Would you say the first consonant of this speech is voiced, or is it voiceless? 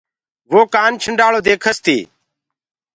voiced